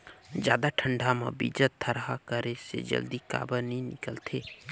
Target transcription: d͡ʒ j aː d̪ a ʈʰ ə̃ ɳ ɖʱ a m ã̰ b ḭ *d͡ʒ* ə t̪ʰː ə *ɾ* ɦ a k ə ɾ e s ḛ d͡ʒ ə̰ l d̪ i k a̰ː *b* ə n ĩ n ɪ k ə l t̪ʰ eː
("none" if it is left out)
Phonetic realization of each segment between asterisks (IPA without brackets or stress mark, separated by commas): d͡ʒ, ɾ, b